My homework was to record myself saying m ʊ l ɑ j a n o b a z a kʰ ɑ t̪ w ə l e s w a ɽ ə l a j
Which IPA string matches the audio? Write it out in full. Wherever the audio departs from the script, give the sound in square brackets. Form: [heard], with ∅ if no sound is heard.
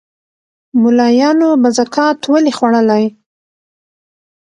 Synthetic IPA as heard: m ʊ l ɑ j [ɑ] n o b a z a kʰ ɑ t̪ w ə l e [x] w a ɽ ə l a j